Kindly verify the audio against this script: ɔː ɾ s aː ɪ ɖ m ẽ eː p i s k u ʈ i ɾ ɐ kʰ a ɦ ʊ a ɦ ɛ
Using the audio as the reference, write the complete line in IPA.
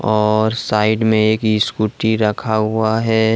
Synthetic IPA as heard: ɔː ɾ s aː ɪ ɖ m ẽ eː k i s k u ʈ i ɾ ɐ kʰ a ɦ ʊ a ɦ ɛ